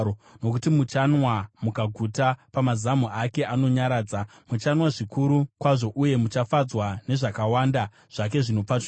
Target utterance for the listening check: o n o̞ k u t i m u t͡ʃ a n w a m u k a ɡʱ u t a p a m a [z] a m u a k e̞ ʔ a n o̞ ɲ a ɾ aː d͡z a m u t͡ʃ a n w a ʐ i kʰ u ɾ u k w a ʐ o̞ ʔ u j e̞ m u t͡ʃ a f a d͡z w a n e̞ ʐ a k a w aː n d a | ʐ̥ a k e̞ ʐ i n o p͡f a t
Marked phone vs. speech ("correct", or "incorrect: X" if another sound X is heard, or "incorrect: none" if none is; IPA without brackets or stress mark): correct